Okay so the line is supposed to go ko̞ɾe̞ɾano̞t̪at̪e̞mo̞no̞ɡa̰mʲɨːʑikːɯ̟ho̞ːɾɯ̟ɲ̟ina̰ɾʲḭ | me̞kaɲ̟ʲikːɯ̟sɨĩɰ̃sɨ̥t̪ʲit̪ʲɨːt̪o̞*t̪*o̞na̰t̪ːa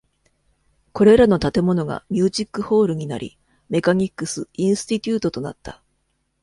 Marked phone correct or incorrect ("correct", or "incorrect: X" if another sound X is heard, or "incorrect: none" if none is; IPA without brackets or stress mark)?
correct